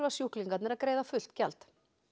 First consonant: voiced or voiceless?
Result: voiced